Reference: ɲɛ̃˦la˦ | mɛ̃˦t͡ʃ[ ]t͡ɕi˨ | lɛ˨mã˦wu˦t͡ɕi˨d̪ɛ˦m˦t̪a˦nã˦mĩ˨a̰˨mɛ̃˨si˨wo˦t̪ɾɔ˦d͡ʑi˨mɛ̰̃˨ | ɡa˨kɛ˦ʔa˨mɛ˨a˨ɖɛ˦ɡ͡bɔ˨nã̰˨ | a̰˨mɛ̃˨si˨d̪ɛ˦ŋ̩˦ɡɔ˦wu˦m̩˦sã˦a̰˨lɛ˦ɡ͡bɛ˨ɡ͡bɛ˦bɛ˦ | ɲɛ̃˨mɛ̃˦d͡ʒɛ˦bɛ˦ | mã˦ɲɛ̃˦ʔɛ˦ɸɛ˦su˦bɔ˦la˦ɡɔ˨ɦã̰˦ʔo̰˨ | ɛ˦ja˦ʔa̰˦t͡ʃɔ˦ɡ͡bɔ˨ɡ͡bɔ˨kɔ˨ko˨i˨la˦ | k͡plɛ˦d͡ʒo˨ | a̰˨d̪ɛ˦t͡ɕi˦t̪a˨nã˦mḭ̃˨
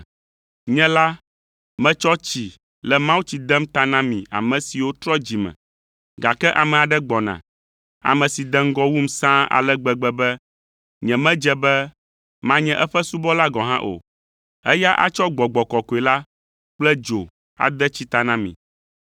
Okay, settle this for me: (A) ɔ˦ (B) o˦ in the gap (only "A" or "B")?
A